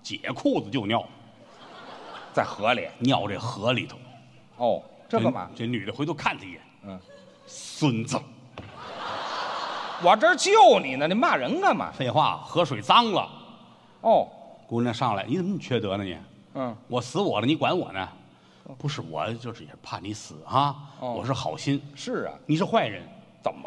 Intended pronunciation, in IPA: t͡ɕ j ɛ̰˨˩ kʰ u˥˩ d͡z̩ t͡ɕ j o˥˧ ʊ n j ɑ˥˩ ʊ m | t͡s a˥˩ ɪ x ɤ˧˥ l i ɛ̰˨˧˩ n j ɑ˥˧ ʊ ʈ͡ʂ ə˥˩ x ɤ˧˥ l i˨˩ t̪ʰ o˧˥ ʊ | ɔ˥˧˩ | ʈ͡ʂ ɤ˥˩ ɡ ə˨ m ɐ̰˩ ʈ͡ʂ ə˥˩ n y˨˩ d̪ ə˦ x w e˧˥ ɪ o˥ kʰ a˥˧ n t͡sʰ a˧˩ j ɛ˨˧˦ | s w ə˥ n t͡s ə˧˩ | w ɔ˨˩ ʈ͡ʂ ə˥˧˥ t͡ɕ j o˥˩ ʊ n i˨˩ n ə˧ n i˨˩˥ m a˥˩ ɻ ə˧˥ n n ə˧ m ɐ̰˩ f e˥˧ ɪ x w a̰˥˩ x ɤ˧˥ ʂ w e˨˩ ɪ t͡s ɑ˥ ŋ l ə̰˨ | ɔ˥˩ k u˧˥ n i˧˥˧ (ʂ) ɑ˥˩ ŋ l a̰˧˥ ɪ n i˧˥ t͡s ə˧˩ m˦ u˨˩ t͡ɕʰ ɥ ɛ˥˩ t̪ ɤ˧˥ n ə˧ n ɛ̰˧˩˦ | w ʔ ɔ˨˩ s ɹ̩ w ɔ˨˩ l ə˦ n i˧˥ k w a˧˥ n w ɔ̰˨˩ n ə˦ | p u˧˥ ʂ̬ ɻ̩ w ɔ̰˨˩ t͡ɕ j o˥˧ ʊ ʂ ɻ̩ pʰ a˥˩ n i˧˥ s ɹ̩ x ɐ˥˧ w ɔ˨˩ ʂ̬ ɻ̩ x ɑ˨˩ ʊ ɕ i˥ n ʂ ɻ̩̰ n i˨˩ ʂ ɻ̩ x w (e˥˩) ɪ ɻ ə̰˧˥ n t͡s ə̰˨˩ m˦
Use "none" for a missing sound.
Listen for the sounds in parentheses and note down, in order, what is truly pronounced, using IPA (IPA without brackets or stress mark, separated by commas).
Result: ʂ, a˥˩